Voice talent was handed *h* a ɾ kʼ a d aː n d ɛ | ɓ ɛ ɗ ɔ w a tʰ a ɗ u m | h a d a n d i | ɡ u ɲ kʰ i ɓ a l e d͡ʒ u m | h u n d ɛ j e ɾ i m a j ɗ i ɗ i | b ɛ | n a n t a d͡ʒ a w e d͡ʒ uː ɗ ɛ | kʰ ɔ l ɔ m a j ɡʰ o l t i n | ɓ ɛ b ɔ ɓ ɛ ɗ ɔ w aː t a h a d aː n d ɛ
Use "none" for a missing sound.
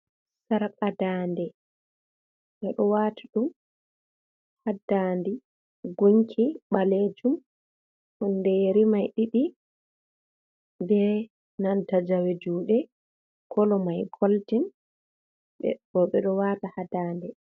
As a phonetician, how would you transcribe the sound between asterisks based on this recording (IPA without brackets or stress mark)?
s